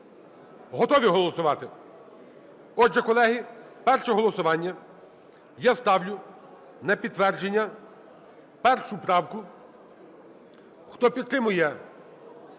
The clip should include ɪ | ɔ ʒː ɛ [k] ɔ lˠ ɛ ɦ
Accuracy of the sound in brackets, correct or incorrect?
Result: correct